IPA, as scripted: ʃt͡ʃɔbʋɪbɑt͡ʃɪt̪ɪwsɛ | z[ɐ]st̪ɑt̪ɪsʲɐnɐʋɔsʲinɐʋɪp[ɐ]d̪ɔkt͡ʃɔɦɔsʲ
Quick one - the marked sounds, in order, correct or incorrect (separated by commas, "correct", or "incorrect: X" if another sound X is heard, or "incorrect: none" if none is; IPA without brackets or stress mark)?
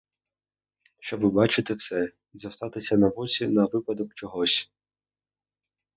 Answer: correct, correct